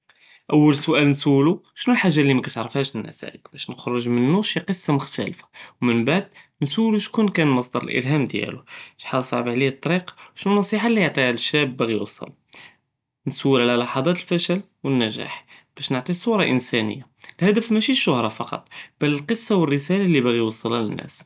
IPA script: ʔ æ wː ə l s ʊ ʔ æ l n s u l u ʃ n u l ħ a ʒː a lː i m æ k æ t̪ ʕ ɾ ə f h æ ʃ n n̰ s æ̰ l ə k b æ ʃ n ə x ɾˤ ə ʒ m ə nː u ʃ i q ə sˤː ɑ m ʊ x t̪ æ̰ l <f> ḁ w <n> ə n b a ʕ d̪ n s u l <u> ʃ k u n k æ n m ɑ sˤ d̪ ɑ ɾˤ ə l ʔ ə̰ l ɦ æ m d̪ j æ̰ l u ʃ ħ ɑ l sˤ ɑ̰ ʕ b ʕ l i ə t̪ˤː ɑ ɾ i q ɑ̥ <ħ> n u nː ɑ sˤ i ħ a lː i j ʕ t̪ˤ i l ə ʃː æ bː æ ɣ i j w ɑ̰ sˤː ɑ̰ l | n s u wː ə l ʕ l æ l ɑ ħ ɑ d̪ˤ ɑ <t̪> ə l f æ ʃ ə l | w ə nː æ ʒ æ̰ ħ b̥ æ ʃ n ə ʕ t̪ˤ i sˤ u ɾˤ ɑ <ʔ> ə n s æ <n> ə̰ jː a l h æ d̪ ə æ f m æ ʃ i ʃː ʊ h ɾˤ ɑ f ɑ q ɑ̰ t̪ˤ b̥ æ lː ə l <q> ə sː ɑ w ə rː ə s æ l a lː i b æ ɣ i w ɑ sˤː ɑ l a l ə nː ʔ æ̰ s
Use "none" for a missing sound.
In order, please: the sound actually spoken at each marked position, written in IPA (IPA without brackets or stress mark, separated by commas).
f, m, u, ʃ, t̪, ʔ, n, q